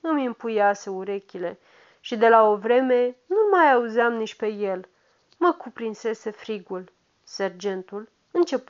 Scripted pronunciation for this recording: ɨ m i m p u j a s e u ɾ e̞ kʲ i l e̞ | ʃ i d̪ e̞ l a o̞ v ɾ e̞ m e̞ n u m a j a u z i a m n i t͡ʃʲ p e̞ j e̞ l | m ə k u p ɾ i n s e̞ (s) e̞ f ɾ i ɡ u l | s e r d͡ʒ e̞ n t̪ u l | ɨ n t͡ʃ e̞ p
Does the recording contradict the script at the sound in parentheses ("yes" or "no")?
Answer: no